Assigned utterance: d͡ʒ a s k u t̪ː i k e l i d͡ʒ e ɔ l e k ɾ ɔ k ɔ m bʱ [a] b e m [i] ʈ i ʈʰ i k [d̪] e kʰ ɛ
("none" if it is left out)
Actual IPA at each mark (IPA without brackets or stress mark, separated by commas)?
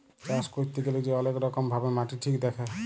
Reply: a, a, d̪